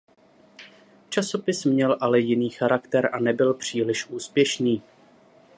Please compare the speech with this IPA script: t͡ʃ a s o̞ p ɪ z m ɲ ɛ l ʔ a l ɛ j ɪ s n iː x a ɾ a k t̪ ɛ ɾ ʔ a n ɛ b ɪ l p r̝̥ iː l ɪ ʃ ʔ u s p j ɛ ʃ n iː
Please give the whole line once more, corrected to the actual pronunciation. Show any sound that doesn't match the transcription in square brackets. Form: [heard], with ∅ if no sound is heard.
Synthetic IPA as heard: t͡ʃ a s o̞ p ɪ [s] m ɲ ɛ l ʔ a l ɛ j ɪ [∅] n iː x a ɾ a k t̪ ɛ ɾ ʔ a n ɛ b ɪ l p r̝̥ iː l ɪ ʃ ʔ [uː] s p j ɛ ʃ n iː